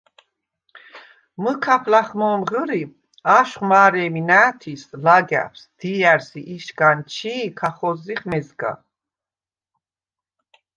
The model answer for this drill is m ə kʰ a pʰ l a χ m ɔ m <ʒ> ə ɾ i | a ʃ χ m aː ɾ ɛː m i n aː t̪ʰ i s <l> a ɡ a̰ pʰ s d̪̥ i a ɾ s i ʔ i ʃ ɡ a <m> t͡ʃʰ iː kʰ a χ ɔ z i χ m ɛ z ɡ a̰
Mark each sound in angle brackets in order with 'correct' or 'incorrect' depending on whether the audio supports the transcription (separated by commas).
incorrect, correct, incorrect